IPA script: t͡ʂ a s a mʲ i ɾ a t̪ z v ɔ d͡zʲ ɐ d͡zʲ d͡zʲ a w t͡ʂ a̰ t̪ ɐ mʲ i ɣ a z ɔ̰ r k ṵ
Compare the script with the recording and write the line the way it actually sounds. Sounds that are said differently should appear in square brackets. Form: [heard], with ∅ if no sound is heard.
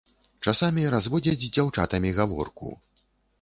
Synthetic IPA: t͡ʂ a s a mʲ i ɾ a [∅] z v ɔ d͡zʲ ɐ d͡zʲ d͡zʲ a w t͡ʂ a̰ t̪ ɐ mʲ i ɣ a [v] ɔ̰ r k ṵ